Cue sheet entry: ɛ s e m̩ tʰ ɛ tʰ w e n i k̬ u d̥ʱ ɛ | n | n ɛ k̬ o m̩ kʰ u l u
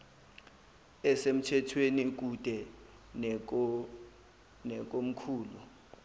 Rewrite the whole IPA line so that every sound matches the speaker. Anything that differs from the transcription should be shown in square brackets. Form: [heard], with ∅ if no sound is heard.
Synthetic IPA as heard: ɛ s e m̩ tʰ ɛ tʰ w e n i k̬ u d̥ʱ ɛ | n | n ɛ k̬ o m̩ kʰ [uː] l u